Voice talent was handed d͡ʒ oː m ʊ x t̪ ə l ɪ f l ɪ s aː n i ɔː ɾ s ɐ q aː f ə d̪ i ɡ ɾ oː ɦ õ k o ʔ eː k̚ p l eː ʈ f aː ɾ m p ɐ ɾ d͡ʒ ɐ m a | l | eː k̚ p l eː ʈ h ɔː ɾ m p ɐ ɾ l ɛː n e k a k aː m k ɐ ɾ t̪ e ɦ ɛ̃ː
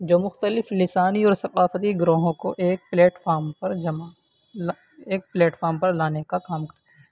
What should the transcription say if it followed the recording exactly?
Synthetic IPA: d͡ʒ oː m ʊ x t̪ ə l ɪ f l ɪ s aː n i ɔː ɾ s ɐ q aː f ə t̪ i ɡ ɾ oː ɦ õ k o ʔ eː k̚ p l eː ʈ f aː ɾ m p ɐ ɾ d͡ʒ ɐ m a | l | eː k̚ p l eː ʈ f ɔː ɾ m p ɐ ɾ l aː n e k a k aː m k ɐ ɾ t̪ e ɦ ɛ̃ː